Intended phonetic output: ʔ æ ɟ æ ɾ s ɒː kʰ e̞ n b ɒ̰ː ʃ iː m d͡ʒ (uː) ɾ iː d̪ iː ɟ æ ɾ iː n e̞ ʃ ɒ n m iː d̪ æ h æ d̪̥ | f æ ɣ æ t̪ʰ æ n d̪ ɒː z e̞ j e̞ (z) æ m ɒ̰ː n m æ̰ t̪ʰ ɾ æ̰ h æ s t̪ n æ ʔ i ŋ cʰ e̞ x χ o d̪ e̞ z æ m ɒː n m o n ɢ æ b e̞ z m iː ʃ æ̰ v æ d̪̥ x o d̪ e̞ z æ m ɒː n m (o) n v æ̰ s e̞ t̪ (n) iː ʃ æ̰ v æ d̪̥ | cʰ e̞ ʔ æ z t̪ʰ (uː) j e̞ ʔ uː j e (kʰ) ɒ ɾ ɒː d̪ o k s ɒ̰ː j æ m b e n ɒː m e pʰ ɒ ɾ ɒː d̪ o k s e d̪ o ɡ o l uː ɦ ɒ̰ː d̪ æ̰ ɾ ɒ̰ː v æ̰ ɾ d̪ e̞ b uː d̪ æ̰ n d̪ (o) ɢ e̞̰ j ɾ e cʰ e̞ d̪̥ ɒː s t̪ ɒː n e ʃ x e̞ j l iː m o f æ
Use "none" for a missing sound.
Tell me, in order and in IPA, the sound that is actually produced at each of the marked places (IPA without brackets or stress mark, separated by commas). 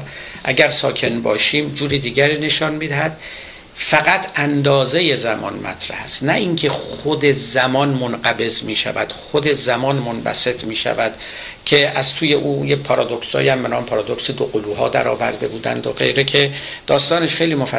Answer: uː, z, o, m, uː, pʰ, o